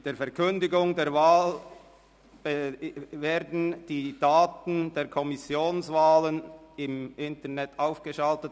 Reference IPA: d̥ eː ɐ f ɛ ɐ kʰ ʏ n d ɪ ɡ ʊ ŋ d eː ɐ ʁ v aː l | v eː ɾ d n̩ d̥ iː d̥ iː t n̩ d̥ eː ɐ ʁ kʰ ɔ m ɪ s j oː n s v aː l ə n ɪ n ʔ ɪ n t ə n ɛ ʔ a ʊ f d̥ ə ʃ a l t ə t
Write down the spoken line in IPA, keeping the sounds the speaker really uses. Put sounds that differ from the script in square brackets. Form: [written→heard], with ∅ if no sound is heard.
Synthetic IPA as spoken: d̥ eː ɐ f ɛ ɐ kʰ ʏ n d ɪ ɡ ʊ ŋ d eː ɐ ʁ v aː l | v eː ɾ d n̩ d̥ iː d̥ [iː→aː] t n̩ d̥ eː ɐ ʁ kʰ ɔ m ɪ s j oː n s v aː l ə n ɪ [n→m] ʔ ɪ n t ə n ɛ [ʔ→t] a ʊ f [d̥→ɡ̥] ə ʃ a l t ə t